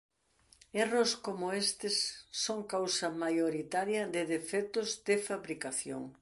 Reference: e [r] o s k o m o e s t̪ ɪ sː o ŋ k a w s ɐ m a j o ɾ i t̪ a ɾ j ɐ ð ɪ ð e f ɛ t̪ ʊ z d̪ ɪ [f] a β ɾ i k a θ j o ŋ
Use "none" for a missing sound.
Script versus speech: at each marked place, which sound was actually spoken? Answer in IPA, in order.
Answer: r, f

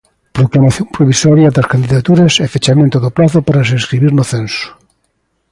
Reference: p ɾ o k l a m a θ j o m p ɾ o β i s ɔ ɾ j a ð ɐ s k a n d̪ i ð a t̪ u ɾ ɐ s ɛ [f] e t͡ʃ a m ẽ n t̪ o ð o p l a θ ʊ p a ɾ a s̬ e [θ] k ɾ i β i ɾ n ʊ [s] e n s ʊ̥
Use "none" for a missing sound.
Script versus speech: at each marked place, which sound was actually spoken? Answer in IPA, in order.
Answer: f, s, θ

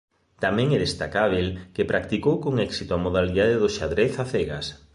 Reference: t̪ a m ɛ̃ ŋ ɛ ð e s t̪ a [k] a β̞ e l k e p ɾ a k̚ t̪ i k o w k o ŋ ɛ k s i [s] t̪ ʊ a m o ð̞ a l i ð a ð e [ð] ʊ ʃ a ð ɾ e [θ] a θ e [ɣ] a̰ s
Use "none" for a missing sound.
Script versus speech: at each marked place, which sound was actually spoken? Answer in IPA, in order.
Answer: k, none, ð, θ, ɣ

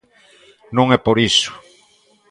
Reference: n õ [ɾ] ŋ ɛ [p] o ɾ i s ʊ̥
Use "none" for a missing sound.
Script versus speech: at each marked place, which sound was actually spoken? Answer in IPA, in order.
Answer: none, p

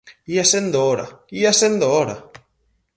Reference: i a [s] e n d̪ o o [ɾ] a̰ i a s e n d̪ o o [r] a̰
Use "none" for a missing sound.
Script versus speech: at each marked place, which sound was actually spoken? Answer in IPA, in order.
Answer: s, ɾ, ɾ

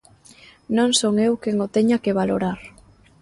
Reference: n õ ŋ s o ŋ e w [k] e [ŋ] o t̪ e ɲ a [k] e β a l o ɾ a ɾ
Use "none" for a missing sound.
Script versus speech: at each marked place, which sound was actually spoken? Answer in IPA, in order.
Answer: k, ŋ, k

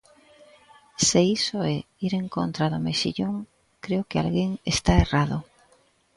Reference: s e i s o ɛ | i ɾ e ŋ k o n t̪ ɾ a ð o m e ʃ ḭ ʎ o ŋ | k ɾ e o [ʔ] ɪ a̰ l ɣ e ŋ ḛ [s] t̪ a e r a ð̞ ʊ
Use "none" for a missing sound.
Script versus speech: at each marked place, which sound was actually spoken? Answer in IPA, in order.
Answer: k, s

